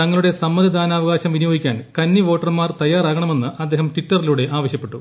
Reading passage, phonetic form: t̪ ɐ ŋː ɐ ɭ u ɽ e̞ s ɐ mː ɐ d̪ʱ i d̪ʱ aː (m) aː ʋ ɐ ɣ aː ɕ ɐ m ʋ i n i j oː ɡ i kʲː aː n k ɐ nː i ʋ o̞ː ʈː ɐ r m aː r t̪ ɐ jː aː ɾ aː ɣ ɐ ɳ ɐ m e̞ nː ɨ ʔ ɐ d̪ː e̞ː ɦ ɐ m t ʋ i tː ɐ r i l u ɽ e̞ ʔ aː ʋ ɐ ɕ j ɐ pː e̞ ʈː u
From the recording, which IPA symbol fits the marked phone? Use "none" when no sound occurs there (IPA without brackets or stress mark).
n